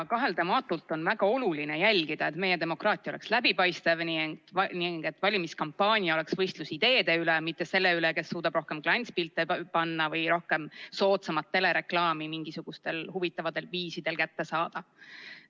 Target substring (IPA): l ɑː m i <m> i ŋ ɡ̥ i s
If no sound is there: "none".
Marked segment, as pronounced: m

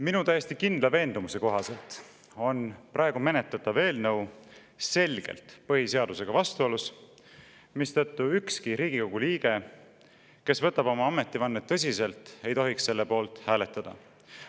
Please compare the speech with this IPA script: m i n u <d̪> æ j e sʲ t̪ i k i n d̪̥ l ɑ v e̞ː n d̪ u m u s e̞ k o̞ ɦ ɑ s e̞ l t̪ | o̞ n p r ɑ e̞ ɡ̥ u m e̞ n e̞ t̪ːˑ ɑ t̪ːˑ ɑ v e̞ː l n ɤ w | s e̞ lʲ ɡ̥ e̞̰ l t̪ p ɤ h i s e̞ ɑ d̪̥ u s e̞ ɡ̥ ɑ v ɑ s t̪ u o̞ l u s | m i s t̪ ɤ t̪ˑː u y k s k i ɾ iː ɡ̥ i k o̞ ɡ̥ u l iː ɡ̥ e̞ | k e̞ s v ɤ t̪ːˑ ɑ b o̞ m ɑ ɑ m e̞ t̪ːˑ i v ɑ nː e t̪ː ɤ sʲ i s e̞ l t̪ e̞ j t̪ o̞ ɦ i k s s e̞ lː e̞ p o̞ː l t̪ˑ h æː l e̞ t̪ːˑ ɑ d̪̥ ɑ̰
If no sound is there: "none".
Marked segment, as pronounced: t̪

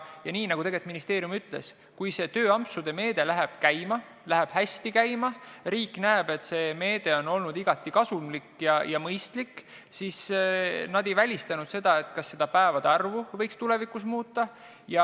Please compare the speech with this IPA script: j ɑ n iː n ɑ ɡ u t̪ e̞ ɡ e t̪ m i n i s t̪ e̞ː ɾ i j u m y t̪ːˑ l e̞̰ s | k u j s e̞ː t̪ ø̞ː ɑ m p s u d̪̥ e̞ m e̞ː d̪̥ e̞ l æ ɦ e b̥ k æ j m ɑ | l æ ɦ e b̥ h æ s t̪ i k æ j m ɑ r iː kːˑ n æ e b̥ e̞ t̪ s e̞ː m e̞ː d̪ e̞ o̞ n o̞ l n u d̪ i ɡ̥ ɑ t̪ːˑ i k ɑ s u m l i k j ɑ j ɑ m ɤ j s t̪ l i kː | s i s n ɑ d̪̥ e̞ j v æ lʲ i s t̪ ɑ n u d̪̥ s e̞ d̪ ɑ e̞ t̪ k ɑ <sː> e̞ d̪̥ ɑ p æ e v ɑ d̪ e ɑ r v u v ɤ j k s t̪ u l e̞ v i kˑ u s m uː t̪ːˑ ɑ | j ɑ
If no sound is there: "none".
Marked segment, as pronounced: sː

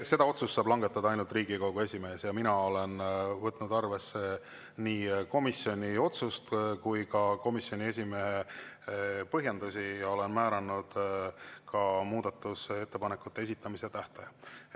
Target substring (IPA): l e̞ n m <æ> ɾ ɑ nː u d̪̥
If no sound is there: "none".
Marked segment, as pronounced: æː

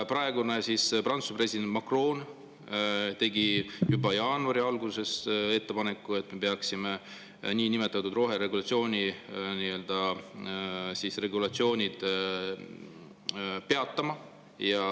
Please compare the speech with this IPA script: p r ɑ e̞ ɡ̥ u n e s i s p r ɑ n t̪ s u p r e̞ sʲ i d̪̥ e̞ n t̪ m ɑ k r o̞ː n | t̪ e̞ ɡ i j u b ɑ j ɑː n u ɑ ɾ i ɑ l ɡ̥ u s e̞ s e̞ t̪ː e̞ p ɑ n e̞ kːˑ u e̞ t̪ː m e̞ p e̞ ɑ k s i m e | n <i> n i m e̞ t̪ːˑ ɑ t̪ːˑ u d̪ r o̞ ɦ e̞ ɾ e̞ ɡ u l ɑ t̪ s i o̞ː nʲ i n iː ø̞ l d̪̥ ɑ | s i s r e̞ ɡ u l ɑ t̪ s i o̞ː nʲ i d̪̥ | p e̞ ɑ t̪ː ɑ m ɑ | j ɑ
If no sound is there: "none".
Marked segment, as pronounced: iː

